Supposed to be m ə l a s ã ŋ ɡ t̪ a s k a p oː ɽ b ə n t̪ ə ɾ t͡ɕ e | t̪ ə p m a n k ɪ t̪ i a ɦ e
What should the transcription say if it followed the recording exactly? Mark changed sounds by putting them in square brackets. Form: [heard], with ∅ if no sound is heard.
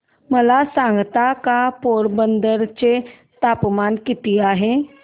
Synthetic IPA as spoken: m ə l a s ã ŋ ɡ t̪ a [∅] k a p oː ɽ b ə n [d̪] ə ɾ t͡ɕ e | t̪ [a] p m a n k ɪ t̪ i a ɦ e